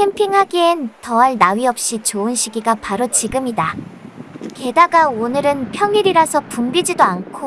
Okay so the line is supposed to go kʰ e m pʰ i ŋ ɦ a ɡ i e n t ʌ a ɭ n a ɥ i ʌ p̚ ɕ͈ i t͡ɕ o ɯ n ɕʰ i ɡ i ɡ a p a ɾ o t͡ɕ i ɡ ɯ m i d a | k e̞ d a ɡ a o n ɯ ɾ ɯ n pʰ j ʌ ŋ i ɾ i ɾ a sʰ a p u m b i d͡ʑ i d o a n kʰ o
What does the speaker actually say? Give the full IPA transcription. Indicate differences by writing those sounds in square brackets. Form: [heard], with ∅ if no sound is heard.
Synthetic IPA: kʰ e m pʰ i ŋ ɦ a ɡ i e n t ʌ a ɭ n a ɥ i ʌ p̚ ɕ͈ i t͡ɕ o ɯ n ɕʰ i ɡ i ɡ a p a ɾ o t͡ɕ i ɡ ɯ m i d a | k e̞ d a ɡ a o n ɯ ɾ ɯ n pʰ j ʌ ŋ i ɾ i ɾ a sʰ [ʌ] p u m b i d͡ʑ i d o a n kʰ o

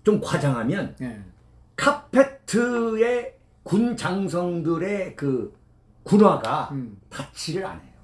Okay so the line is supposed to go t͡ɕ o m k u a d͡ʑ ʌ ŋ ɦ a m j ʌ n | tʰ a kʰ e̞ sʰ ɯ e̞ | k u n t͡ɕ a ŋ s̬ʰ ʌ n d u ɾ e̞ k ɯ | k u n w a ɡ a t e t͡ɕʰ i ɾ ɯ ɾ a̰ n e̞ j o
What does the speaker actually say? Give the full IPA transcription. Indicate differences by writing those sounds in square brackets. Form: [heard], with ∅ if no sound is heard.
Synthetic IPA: t͡ɕ o m k [w] a d͡ʑ [a] ŋ ɦ a m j ʌ n | [kʰ] a [pʰ] e̞ [tʰ] ɯ e̞ | k u n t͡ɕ a ŋ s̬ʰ ʌ [ŋ] d [ɯ] ɾ e̞ k ɯ | k u n w a ɡ a t [a] t͡ɕʰ i ɾ ɯ ɾ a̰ n e̞ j o

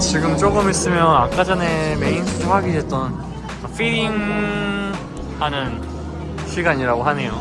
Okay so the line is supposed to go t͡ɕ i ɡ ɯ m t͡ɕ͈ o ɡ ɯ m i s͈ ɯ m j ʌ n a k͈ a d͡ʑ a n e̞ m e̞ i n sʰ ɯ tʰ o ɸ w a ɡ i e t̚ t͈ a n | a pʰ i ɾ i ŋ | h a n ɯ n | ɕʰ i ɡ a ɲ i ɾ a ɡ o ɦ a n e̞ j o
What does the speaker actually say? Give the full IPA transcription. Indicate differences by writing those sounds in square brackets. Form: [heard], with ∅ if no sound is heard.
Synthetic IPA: t͡ɕ i ɡ ɯ m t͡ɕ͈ o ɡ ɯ m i s͈ ɯ m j ʌ n a k͈ a d͡ʑ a n e̞ m e̞ i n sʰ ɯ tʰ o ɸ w a ɡ i e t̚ t͈ [ʌ] n | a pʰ i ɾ i ŋ | h a n ɯ n | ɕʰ i ɡ a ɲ i ɾ a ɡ o ɦ a n e̞ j o

